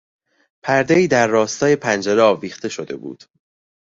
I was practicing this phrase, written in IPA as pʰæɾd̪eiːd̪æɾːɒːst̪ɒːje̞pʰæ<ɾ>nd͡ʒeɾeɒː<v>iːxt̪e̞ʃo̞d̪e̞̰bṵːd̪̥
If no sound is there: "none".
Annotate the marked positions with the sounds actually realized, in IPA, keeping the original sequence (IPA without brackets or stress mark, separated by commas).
none, v